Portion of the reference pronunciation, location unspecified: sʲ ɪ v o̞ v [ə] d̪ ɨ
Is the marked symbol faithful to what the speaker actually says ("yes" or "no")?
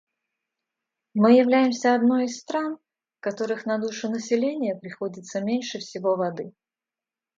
no